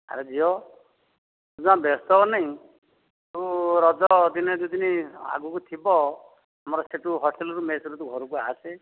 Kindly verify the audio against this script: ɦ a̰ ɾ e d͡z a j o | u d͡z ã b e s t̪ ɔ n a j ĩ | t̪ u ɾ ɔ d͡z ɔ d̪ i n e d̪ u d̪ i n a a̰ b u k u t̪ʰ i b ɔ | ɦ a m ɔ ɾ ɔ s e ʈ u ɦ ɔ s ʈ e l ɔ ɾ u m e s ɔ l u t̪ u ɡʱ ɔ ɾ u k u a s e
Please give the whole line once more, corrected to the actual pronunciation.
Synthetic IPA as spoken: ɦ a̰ ɾ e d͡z i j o | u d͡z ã b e s t̪ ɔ n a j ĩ | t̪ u ɾ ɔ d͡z ɔ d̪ i n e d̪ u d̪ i n i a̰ ɡ u k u t̪ʰ i b ɔ | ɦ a m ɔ ɾ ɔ s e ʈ u ɦ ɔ s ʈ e l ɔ ɾ u m e s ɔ ɾ u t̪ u ɡʱ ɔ ɾ u k u a s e